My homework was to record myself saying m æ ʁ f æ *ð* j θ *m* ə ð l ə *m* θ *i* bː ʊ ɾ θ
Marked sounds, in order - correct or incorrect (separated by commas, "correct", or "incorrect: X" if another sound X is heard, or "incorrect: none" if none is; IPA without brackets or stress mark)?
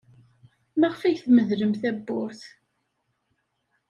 incorrect: none, correct, correct, incorrect: æ